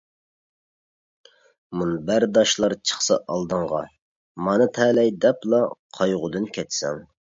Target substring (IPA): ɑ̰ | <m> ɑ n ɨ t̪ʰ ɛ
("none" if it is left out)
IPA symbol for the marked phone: m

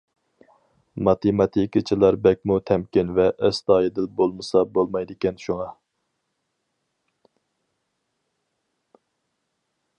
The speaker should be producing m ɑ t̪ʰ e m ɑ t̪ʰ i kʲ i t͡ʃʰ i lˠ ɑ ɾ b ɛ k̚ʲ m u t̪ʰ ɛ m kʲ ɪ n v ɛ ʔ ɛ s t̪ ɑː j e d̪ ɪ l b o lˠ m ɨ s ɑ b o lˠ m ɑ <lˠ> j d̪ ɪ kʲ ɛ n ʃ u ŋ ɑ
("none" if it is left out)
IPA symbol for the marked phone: none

